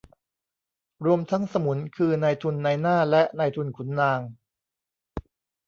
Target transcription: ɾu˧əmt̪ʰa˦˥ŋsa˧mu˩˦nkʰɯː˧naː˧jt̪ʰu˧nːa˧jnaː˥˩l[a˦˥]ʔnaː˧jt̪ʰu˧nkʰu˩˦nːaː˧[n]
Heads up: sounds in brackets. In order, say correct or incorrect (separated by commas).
incorrect, incorrect